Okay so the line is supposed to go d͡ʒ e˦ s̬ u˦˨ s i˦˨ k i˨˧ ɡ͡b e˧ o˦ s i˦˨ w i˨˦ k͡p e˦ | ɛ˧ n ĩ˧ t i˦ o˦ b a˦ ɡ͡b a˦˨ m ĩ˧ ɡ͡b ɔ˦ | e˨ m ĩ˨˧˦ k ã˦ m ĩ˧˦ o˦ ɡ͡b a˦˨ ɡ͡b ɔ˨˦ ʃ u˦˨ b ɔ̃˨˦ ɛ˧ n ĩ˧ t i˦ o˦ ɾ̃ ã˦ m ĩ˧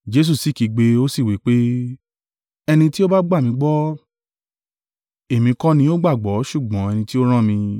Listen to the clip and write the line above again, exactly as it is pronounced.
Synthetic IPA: d͡ʒ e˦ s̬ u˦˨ s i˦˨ k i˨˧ ɡ͡b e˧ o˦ s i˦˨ w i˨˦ k͡p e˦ | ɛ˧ n ĩ˧ t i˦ o˦ b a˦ ɡ͡b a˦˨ m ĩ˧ ɡ͡b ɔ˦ | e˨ m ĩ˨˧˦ k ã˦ n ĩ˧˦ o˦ ɡ͡b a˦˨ ɡ͡b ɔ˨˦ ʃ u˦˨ ɡ͡b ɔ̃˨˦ ɛ˧ n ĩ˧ t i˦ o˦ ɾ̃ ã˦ m ĩ˧